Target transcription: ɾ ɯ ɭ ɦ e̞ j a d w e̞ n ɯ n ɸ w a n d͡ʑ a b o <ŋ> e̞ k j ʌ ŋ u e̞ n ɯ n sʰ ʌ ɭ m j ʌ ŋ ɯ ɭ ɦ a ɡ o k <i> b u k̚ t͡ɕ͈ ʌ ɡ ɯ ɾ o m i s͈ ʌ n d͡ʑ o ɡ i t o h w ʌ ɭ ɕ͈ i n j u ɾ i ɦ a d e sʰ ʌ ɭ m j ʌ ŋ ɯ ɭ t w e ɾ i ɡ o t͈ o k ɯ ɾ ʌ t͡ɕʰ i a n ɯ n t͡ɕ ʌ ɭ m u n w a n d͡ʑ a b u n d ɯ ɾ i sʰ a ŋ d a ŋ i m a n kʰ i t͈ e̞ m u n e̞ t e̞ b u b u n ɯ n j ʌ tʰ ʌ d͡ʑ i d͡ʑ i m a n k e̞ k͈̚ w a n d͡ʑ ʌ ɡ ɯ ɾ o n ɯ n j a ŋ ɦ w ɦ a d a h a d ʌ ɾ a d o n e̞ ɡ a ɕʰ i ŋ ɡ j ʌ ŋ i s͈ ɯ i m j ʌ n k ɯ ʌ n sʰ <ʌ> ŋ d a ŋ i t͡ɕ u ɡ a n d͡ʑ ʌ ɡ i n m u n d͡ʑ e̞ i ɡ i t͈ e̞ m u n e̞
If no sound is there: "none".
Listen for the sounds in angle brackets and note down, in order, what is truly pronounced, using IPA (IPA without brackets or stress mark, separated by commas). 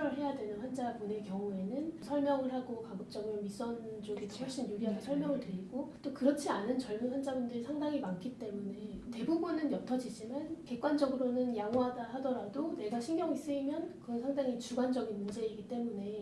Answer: n, a, a